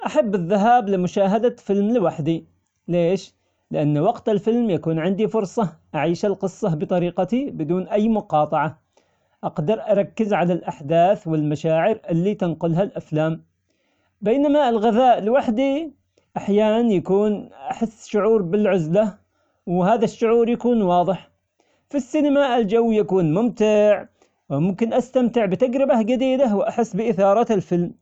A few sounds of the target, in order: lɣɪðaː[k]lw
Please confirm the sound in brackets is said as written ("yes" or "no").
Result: no